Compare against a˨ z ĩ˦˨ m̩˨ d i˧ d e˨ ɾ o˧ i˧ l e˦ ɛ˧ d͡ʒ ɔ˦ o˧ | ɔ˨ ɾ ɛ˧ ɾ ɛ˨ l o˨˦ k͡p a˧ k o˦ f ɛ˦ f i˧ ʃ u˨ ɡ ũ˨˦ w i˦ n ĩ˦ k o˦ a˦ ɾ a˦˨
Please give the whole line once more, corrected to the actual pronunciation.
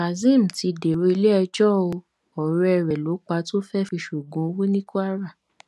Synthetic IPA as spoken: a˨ z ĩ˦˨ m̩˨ t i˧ d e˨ ɾ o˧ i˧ l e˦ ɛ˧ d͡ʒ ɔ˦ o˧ | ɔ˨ ɾ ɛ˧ ɾ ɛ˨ l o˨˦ k͡p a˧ t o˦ f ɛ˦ f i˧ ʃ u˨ ɡ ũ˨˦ w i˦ n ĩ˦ k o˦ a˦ ɾ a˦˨

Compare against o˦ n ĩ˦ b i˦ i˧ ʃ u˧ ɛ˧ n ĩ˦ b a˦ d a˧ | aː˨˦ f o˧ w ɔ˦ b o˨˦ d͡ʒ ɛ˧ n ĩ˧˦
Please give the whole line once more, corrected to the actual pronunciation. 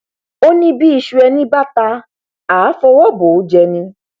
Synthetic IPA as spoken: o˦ n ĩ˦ b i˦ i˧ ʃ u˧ ɛ˧ n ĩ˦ b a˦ t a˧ | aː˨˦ f ɔ˧ w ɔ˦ b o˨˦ d͡ʒ ɛ˧ n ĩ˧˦

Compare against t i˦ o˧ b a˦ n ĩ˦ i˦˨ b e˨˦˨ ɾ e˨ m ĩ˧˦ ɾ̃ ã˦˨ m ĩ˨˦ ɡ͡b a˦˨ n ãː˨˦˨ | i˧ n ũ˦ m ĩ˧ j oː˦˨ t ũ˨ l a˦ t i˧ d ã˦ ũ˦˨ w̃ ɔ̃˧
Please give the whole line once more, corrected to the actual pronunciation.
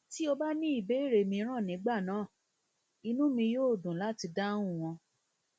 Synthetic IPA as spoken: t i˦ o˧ b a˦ n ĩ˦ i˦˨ b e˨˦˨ ɾ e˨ m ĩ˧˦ ɾ̃ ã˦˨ n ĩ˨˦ ɡ͡b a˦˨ n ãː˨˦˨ | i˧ n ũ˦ m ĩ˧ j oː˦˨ d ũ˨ l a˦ t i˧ d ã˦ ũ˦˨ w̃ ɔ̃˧

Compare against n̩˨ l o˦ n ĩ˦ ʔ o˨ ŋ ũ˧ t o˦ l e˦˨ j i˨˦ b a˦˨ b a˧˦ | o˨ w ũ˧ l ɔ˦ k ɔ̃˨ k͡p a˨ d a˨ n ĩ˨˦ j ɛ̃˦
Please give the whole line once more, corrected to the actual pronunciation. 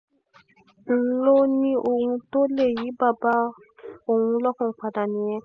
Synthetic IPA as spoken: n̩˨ l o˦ n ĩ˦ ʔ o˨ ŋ ũ˧ t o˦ l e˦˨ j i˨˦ b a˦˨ b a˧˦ | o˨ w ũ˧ l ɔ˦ k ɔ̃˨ k͡p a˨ d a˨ n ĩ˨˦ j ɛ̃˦

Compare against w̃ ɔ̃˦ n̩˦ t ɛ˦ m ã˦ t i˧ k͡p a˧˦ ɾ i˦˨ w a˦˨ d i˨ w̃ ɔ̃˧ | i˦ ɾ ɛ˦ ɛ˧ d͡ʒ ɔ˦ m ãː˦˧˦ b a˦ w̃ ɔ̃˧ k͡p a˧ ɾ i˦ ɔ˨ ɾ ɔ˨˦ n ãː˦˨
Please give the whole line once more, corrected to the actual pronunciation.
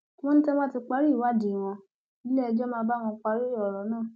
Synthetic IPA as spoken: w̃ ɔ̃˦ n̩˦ t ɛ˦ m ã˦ t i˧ k͡p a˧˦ ɾ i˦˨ w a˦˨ d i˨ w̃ ɔ̃˧ | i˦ l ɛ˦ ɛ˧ d͡ʒ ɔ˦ m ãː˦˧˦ b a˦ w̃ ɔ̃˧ k͡p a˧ ɾ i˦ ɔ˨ ɾ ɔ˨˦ n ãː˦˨

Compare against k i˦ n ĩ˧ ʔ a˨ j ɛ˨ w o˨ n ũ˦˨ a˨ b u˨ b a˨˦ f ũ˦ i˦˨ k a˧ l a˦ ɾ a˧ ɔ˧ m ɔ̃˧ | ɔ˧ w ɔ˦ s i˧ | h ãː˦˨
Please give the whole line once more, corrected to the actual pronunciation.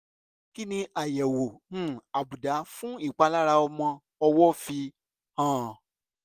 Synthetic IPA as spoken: k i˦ n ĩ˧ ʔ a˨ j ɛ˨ w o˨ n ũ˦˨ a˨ b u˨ d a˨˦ f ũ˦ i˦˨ k͡p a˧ l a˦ ɾ a˧ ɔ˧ m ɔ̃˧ | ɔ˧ w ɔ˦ f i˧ | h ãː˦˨

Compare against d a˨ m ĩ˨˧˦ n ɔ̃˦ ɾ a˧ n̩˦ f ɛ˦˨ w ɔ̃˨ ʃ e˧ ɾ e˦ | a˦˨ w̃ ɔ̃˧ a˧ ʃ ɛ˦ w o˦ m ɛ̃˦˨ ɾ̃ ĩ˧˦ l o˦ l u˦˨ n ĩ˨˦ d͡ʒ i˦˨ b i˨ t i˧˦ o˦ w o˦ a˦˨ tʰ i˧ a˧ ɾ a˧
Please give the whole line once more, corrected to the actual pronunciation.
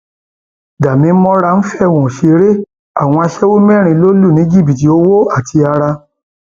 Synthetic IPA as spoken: d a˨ m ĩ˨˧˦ m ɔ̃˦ ɾ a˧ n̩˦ f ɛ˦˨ w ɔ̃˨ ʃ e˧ ɾ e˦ | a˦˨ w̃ ɔ̃˧ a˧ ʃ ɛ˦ w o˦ m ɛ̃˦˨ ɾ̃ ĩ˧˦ l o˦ l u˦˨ n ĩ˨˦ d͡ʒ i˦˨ b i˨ t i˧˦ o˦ w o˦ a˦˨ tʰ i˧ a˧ ɾ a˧

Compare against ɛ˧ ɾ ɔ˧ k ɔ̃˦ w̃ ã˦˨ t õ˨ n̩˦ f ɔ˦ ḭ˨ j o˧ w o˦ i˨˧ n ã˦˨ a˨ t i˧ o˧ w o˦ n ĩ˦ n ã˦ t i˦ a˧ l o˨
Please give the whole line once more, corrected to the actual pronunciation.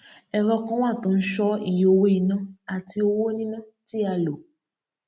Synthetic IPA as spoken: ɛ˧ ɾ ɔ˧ k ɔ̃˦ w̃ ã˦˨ t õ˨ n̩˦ ʃ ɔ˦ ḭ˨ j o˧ w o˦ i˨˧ n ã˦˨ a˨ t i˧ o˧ w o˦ n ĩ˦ n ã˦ t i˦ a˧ l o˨

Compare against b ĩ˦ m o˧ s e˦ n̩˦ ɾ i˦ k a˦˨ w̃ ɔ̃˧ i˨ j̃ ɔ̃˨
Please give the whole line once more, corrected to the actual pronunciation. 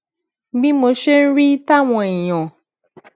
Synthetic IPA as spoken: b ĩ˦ m o˧ ʃ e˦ n̩˦ ɾ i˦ t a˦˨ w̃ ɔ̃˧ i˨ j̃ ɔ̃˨

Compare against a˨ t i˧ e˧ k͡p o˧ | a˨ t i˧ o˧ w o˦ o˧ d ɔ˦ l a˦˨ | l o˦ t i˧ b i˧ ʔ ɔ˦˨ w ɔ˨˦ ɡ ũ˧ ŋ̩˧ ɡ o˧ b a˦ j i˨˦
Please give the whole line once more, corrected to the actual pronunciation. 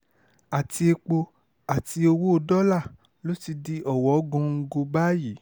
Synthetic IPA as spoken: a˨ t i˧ e˧ k͡p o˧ | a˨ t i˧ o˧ w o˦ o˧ d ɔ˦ l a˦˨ | l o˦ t i˧ d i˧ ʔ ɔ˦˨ w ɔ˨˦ ɡ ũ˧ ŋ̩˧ ɡ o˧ b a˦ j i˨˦

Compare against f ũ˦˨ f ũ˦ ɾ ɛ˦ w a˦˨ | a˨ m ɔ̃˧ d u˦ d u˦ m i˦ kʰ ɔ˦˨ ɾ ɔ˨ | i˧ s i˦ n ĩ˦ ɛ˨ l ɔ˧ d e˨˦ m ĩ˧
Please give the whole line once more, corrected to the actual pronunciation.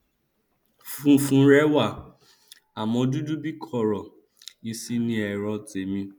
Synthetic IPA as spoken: f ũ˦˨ f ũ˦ ɾ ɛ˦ w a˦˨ | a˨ m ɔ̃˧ d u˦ d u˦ b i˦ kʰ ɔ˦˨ ɾ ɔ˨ | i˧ s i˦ n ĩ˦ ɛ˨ ɾ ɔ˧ t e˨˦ m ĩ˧

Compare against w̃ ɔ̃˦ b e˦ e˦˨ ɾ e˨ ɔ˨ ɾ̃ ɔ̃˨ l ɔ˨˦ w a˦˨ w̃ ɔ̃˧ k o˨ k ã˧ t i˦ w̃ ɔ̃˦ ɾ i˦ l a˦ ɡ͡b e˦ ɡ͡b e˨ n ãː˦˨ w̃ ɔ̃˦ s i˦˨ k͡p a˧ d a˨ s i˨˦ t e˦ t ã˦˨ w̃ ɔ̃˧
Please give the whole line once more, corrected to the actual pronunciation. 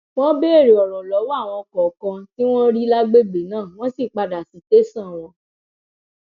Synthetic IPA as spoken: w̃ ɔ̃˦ b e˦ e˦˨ ɾ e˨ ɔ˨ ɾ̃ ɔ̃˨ l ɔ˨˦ w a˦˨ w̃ ɔ̃˧ k ɔ˨ k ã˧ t i˦ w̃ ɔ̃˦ ɾ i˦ l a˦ ɡ͡b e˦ ɡ͡b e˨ n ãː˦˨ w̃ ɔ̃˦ s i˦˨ k͡p a˧ d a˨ s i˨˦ t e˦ s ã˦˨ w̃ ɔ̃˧

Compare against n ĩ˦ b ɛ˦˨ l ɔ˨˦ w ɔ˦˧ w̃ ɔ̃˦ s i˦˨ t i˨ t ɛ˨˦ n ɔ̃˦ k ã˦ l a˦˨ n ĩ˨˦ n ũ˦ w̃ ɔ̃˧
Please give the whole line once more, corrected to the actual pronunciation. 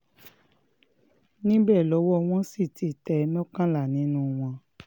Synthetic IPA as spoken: n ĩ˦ b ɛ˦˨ l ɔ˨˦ w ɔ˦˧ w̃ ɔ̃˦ s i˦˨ t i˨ t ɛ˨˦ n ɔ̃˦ k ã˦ l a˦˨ n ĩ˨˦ n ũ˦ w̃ ɔ̃˧

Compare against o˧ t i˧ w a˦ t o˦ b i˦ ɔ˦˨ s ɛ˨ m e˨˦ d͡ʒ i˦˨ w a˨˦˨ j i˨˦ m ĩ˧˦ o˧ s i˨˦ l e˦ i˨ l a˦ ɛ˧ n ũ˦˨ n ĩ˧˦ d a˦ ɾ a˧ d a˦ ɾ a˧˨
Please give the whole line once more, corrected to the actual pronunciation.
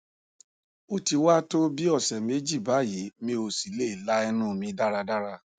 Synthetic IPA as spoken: o˧ t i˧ w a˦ t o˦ b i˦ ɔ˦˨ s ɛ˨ m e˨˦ d͡ʒ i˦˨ b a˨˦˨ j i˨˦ m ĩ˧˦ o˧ s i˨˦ l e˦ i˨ l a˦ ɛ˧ n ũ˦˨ m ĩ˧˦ d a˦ ɾ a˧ d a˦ ɾ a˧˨

